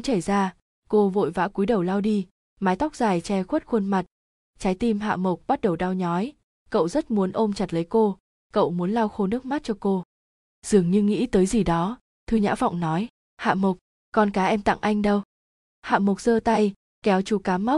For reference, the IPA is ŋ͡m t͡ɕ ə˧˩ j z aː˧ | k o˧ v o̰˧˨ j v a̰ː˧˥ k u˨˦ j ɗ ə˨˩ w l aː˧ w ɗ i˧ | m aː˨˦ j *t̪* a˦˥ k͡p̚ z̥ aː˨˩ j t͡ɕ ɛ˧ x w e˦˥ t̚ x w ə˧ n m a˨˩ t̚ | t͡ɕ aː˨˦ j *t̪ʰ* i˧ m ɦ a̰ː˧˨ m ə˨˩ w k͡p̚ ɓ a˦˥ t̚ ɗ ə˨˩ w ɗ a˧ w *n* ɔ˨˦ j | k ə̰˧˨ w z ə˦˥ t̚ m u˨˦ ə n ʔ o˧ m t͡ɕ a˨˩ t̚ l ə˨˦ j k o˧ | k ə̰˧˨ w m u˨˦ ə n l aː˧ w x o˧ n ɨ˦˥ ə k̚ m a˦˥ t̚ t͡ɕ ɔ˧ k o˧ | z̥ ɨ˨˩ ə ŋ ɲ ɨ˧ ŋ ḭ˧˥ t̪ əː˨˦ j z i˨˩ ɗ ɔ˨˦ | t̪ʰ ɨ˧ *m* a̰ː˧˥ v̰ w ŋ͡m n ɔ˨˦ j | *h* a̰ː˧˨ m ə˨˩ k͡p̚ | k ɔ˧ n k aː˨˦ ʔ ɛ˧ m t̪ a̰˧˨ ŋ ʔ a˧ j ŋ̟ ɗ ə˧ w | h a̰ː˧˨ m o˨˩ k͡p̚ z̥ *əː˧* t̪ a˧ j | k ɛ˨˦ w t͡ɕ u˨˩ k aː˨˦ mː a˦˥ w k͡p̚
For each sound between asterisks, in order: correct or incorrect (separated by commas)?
correct, incorrect, incorrect, incorrect, correct, correct